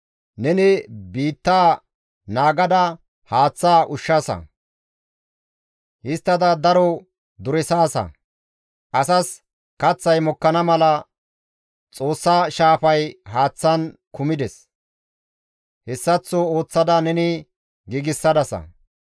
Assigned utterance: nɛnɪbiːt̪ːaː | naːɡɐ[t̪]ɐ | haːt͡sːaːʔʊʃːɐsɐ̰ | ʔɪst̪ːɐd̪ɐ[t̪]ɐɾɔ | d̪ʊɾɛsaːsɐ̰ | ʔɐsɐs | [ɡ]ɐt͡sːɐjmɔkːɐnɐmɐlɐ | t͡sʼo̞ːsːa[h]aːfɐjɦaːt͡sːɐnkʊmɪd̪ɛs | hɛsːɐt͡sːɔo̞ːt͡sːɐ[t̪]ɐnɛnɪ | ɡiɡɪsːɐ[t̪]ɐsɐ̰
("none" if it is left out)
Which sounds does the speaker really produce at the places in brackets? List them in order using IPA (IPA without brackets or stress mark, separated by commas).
d̪, d̪, k, ʃ, d̪, d̪